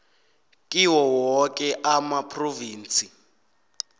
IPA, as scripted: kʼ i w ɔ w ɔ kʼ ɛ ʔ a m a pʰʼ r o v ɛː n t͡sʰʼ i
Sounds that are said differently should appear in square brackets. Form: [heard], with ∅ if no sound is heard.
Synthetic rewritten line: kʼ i w ɔ w ɔ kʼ ɛ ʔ a m a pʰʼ r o v [iː] n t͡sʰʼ i